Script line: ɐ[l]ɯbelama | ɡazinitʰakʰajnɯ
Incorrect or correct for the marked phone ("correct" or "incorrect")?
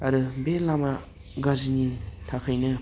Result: incorrect